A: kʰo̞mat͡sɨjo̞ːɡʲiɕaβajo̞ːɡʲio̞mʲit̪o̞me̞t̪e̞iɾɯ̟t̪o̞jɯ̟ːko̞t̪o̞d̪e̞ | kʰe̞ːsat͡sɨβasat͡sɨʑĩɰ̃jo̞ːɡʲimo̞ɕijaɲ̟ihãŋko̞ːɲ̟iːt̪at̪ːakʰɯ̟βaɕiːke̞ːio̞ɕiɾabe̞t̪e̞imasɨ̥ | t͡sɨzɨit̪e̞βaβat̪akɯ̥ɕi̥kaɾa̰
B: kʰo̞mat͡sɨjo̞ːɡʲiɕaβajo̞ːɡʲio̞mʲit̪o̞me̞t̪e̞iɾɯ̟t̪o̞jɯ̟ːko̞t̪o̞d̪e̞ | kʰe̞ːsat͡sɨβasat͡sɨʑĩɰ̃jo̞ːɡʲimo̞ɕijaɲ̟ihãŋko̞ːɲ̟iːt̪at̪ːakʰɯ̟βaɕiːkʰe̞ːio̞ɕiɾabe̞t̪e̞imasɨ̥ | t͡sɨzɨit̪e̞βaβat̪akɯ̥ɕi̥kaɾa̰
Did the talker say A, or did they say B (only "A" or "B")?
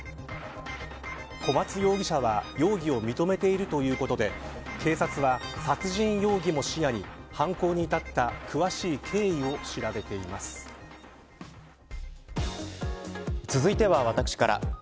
B